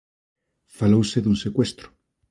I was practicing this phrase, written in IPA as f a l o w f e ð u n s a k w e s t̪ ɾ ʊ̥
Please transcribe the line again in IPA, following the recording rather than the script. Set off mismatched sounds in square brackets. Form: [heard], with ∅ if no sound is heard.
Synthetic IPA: f a l o w [s] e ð u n s [e] k w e s t̪ ɾ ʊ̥